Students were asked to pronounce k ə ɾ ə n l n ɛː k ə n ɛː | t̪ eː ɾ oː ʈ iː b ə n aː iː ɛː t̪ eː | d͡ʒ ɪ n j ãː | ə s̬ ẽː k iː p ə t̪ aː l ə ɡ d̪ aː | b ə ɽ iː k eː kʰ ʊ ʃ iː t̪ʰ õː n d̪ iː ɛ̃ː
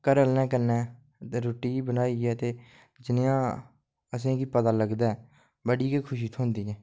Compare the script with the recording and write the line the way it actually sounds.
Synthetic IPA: k ə ɾ ə l n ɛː k ə n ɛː | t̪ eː ɾ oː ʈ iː b ə n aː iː ɛː t̪ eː | d͡ʒ ɪ n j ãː | ə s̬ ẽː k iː p ə t̪ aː l ə ɡ d̪ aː | b ə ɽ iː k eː kʰ ʊ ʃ iː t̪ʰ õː n d̪ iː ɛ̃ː